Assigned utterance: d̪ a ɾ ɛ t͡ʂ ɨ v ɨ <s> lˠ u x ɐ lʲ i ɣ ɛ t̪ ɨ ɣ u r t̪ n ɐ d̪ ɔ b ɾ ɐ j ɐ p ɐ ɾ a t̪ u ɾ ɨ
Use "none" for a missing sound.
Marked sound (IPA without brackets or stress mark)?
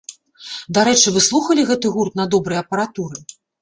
s